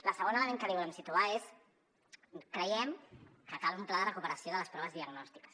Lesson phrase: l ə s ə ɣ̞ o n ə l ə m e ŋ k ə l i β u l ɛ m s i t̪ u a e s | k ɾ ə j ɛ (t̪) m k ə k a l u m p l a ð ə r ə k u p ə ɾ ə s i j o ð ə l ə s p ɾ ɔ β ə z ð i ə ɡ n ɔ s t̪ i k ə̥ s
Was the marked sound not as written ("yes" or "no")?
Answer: yes